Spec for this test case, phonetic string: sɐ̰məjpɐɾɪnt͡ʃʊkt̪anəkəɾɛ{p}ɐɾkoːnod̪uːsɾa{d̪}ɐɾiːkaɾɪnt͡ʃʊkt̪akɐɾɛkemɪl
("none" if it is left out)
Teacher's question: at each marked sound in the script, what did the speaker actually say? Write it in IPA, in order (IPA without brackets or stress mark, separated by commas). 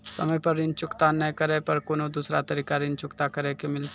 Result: p, t̪